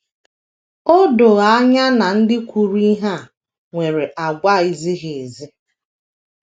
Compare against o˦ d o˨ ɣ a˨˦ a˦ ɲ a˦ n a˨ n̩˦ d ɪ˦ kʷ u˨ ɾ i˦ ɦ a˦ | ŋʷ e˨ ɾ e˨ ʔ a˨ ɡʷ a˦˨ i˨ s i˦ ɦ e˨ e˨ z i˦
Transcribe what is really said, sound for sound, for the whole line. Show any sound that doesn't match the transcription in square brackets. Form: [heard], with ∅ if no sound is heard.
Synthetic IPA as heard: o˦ d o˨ ɣ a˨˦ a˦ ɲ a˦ n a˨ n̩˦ d ɪ˦ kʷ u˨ ɾ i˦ ɦ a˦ | ŋʷ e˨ ɾ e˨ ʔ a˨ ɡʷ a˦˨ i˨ [z] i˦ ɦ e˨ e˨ z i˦